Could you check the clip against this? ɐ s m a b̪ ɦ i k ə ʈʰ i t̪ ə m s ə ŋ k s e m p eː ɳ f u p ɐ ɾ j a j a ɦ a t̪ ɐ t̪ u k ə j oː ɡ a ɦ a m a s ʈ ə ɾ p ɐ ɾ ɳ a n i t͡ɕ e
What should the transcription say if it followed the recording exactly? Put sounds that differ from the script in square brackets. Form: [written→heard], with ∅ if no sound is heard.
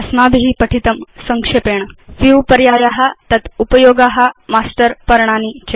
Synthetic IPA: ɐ s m a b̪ ɦ i [k→p] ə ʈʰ i t̪ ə m s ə ŋ k [s→ʂ] e [m→∅] p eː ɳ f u p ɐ ɾ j a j a ɦ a t̪ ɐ t̪ u [k→p] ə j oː ɡ a ɦ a m a s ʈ ə ɾ p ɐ ɾ ɳ a n i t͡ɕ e